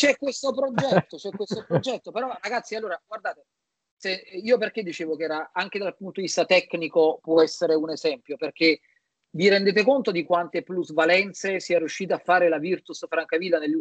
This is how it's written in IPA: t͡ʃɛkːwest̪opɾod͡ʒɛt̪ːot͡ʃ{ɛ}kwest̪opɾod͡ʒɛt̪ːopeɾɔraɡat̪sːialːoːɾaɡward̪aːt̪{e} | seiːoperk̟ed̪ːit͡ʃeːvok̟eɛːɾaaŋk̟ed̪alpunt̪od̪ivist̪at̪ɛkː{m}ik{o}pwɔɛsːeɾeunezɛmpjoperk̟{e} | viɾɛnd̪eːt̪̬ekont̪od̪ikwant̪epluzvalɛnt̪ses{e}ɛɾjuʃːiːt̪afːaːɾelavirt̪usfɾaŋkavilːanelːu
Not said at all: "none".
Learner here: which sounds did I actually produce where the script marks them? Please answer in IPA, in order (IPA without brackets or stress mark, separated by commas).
ɛ, e, n, o, e, i